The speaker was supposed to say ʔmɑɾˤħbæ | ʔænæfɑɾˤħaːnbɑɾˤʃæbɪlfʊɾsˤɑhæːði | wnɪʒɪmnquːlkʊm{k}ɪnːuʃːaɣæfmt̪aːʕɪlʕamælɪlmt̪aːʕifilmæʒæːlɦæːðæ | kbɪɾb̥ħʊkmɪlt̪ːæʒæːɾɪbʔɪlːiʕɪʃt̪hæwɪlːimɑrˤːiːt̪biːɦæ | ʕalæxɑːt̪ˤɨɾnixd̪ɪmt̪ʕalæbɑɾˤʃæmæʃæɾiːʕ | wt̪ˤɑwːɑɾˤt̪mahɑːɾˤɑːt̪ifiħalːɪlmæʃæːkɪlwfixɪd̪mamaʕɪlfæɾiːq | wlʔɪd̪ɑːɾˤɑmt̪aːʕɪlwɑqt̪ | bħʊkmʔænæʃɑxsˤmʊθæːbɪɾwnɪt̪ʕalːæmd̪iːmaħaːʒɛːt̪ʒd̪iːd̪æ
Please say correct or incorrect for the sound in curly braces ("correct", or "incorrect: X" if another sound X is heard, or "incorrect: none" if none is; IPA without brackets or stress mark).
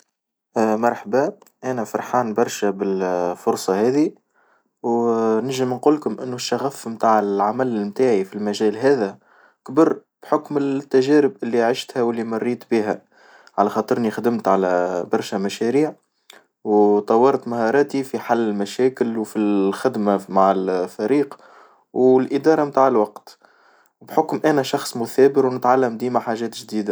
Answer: incorrect: ʔ